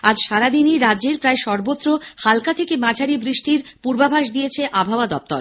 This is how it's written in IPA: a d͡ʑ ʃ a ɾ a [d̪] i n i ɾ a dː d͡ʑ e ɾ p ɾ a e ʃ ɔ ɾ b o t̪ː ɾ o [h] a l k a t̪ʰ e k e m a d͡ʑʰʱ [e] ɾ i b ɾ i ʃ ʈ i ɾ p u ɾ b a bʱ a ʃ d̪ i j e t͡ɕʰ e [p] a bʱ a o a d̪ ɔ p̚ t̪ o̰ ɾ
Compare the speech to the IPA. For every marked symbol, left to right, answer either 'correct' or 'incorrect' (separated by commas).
correct, correct, incorrect, incorrect